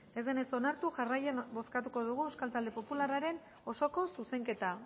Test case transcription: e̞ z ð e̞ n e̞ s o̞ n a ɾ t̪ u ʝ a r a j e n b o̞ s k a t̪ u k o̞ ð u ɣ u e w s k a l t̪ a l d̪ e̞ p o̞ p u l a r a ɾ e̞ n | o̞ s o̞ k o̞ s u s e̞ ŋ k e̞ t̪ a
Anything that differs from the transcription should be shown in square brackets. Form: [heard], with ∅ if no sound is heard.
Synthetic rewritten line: e̞ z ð e̞ n e̞ s o̞ n a ɾ t̪ u ʝ a r a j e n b o̞ s k a t̪ u k o̞ ð u ɣ u e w s k a l t̪ a l d̪ e̞ p o̞ p u l a r a ɾ e̞ n | o̞ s o̞ k o̞ s u s e̞ ŋ k e̞ t̪ a